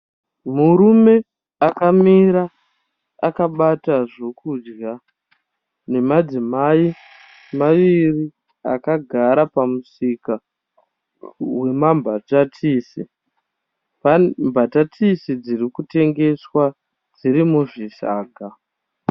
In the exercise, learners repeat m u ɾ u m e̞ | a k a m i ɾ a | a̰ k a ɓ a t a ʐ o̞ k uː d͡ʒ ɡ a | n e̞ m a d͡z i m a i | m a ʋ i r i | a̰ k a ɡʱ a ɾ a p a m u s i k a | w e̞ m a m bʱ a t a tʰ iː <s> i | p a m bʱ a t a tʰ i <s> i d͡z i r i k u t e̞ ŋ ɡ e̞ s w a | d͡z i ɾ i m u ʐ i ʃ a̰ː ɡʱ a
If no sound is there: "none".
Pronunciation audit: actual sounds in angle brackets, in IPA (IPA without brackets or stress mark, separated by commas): s, s